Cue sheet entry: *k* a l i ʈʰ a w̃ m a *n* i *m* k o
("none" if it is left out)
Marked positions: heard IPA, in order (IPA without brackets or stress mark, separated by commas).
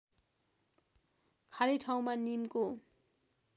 kʰ, n, m